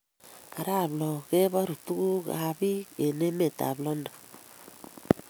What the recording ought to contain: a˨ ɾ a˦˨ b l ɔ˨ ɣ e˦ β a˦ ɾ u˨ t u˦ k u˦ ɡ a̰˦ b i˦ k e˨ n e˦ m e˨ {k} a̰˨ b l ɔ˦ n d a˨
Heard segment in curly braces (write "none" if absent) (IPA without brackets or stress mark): t